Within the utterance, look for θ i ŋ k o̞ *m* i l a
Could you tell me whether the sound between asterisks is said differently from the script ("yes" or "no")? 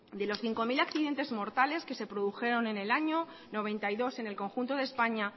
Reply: no